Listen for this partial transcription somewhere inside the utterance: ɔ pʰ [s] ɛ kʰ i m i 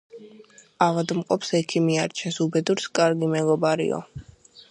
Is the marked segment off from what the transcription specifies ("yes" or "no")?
no